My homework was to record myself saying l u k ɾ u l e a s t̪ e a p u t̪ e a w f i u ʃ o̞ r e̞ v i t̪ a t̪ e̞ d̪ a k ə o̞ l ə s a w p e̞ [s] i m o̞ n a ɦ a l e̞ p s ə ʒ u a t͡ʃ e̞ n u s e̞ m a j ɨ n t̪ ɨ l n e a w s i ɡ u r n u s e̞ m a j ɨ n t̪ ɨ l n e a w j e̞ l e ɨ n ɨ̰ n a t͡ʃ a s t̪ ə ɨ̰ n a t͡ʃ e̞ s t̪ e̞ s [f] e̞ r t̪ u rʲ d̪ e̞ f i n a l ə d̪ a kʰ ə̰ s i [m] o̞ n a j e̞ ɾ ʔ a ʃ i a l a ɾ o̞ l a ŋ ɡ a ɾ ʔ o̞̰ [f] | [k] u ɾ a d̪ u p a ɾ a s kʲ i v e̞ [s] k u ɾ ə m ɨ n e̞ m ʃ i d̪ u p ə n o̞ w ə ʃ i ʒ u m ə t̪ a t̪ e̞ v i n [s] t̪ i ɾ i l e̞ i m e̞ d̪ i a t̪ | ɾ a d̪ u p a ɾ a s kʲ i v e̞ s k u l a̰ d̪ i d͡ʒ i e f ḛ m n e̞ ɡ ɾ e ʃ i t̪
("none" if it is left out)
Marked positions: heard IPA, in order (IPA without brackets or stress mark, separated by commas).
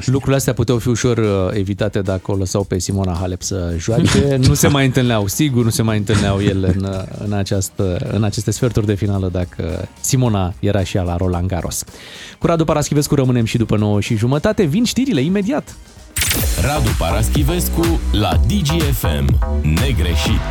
s, f, m, s, k, s, ʃ